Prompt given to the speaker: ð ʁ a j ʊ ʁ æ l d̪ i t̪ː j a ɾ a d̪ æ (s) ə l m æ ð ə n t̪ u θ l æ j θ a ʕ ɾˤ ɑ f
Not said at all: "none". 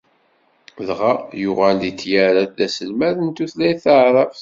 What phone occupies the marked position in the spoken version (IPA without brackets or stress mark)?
s